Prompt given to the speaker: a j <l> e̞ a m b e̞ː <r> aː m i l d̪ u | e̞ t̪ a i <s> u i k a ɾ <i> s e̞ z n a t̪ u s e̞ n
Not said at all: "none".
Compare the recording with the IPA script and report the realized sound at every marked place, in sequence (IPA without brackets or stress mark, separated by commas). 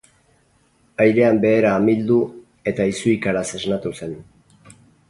ɾ, ɾ, s, a